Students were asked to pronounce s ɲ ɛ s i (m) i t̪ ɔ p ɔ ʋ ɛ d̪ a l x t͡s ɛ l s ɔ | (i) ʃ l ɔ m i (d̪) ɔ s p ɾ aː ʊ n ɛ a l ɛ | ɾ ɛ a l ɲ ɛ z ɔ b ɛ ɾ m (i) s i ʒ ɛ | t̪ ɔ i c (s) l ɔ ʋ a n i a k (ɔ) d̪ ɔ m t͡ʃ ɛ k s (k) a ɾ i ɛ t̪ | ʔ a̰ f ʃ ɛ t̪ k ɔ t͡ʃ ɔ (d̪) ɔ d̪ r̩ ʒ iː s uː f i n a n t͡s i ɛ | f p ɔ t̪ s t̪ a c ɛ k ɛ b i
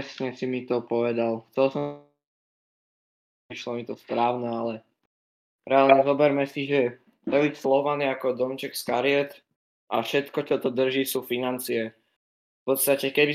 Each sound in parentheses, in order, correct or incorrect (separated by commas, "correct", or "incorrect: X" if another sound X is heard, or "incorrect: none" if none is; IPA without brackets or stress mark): correct, correct, incorrect: t̪, incorrect: ɛ, correct, correct, correct, incorrect: t̪